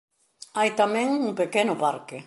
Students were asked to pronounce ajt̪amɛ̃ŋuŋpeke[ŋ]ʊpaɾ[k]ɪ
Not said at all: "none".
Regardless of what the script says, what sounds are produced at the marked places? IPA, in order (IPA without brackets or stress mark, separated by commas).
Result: n, k